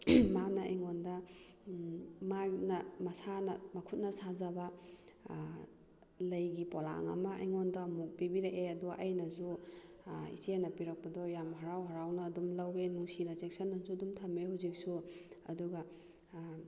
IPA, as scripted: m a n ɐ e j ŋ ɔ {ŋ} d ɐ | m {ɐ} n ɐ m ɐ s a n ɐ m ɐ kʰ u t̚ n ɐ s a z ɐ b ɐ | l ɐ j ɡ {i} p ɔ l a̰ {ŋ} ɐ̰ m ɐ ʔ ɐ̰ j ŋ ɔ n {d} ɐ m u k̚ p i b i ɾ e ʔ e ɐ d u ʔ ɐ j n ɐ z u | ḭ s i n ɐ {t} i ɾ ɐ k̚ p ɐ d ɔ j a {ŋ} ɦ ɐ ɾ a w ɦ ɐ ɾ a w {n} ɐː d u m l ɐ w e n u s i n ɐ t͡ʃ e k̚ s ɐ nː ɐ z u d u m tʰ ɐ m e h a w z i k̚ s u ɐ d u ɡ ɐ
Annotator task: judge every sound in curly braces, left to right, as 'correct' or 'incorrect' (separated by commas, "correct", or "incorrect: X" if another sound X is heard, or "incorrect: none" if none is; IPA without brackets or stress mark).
incorrect: n, incorrect: a, correct, correct, correct, incorrect: p, incorrect: m, correct